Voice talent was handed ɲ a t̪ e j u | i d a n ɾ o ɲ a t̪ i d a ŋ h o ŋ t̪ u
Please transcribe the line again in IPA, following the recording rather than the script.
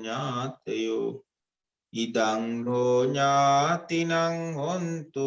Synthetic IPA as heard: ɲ a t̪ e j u | i d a ŋ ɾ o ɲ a t̪ i n a ŋ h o n t̪ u